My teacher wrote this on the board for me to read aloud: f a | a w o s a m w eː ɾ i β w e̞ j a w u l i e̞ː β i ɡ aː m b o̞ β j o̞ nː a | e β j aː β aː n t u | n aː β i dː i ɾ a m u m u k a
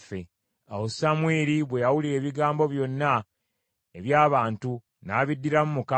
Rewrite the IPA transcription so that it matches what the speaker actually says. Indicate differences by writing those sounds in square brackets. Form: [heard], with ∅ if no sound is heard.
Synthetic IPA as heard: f [e] | a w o s a m w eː ɾ i β w e̞ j a w u l i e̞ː β i ɡ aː m b o̞ β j o̞ nː a | e β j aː β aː n t u | n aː β i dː i ɾ a m u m u k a

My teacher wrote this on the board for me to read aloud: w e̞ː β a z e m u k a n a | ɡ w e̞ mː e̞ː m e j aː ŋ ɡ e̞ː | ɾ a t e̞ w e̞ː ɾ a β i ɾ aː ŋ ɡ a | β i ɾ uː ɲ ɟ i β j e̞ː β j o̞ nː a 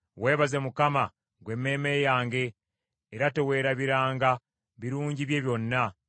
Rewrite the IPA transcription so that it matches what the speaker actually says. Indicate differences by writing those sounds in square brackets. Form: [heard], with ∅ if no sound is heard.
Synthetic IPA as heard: w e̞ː β a z e m u k a [m] a | ɡ w e̞ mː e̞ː m e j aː ŋ ɡ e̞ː | ɾ a t e̞ w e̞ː ɾ a β i ɾ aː ŋ ɡ a | β i ɾ uː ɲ ɟ i β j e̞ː β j o̞ nː a

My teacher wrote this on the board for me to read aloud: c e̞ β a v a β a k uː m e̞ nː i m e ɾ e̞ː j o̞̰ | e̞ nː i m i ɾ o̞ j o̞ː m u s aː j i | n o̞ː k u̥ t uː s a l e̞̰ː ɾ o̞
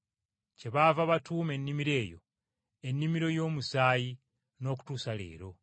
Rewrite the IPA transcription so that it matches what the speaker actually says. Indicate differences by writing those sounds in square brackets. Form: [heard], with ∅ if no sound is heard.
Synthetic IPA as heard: c e̞ β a v a β a [t] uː m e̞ nː i m [i] ɾ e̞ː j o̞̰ | e̞ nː i m i ɾ o̞ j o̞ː m u s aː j i | n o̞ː k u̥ t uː s a l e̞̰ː ɾ o̞

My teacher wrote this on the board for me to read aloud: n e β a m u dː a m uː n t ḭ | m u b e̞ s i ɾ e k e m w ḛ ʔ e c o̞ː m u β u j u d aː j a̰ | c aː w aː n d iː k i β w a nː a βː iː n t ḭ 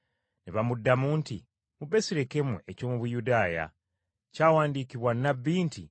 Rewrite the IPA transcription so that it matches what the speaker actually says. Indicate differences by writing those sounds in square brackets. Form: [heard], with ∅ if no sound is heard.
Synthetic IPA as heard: n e β a m u dː a m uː n t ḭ | m u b e̞ s i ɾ e k e m w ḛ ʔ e c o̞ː m u β u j u d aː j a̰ | c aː w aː n d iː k i β w a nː a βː iː n t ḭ

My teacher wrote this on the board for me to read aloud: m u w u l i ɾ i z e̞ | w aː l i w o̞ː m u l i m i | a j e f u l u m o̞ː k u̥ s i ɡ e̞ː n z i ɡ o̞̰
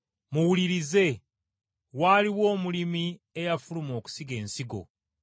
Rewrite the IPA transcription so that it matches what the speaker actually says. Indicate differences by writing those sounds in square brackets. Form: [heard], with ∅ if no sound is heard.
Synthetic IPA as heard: m u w u l i ɾ i z e̞ | w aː l i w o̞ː m u l i m i | [e] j [a] f u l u m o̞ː k u̥ s i ɡ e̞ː n [s] i ɡ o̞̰

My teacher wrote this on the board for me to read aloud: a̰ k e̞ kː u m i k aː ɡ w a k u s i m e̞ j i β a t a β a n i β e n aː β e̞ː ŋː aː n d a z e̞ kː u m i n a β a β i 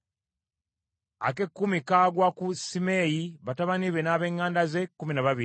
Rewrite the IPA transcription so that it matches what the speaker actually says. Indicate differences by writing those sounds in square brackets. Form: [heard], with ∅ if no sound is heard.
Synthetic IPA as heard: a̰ k e̞ kː u m i k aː ɡ w a k u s i m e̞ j i β a t a β a n i β e n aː β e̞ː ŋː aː n d a z e̞ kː u m i n a β a β i

